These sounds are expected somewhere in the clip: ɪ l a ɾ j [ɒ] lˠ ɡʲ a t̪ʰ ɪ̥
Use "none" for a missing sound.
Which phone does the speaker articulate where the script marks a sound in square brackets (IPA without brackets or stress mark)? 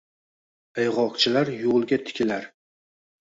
o